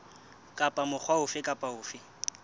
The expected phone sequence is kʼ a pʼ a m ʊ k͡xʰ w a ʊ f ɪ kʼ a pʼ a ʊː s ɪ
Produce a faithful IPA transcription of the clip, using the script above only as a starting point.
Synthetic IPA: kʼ a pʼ a m ʊ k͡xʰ w a ʊ f ɪ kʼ a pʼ a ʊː f ɪ